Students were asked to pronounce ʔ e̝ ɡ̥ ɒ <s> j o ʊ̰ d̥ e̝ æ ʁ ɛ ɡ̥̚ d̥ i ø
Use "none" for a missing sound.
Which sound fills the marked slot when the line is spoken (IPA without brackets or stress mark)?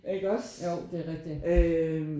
s